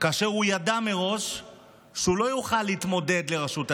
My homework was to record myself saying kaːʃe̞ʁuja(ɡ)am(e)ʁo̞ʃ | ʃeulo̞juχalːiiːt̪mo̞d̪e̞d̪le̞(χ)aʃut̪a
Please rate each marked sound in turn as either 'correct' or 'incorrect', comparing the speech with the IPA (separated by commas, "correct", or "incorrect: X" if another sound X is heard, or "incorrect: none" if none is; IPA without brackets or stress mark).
incorrect: d, correct, incorrect: ʁ